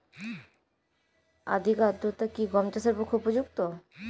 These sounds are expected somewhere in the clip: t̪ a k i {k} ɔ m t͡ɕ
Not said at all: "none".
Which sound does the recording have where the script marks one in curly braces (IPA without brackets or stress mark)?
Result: ɡ